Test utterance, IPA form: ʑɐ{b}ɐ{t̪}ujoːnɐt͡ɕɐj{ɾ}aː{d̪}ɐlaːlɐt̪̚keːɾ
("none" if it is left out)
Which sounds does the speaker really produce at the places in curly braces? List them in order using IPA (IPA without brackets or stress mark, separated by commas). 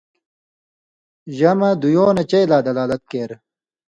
m, d̪, l, d̪